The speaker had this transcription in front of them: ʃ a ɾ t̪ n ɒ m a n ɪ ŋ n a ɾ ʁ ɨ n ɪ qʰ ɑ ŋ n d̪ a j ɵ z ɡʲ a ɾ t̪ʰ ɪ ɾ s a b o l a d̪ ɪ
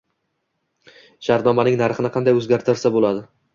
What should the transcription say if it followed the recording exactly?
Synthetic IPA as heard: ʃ a ɾ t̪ n ɒ m a n ɪ ŋ n a ɾ χ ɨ n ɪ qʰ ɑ n d̪ a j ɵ z ɡʲ a ɾ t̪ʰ ɪ ɾ s a b o l a d̪ ɪ